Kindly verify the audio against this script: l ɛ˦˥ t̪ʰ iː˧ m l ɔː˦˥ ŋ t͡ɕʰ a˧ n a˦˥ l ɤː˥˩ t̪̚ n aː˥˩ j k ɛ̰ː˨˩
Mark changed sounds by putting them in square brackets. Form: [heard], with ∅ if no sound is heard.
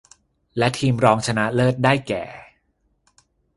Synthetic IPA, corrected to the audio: l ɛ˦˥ t̪ʰ iː˧ m [ɾ] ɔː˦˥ ŋ t͡ɕʰ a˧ n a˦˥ l ɤː˥˩ t̪̚ [d] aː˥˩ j k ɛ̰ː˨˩